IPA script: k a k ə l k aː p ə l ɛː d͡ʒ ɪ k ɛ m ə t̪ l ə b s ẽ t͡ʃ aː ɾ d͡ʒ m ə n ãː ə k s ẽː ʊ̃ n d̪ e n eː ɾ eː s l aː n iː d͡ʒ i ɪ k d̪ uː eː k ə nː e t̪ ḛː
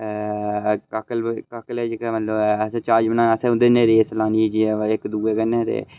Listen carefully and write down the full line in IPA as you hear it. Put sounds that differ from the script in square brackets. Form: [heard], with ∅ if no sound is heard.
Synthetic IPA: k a k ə l k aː [k] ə l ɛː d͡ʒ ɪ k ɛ m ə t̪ l ə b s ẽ t͡ʃ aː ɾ d͡ʒ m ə n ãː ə [∅] s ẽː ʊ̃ n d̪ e n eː ɾ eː s l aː n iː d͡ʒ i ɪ k d̪ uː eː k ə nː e t̪ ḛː